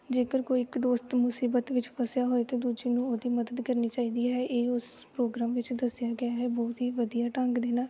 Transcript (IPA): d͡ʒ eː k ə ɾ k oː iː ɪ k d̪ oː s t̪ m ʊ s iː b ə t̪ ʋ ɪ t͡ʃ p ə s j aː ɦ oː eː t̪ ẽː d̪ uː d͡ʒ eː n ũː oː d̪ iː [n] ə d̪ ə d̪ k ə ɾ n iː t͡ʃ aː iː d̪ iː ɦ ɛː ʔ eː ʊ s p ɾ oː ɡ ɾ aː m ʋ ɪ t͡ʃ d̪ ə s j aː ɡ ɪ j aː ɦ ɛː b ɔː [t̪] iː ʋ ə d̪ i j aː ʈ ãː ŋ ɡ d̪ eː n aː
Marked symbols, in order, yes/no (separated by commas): no, yes